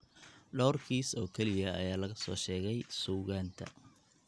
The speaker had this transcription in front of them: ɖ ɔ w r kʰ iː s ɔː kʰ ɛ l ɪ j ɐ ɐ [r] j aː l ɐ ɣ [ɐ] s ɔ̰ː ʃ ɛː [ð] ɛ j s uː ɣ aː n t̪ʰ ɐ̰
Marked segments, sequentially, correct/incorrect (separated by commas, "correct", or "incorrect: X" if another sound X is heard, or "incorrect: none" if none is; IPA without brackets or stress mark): incorrect: none, correct, incorrect: ɣ